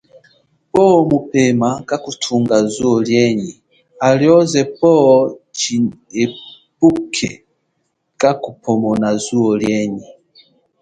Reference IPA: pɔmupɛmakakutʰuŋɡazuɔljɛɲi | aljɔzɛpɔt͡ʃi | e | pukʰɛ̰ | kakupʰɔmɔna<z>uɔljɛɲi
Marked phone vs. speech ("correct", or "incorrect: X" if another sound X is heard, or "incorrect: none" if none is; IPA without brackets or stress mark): correct